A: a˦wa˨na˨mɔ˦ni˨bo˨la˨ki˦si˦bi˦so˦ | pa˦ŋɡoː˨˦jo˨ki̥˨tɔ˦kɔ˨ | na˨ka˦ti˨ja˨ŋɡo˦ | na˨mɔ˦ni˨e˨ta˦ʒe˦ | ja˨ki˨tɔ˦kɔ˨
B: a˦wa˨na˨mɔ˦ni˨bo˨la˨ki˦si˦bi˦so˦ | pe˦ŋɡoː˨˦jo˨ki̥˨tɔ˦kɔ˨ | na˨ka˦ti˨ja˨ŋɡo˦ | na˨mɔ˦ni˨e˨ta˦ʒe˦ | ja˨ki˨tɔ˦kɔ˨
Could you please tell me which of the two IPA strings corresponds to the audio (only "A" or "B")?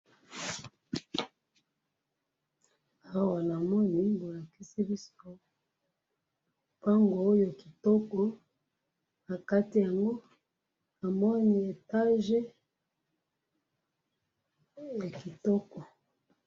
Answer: A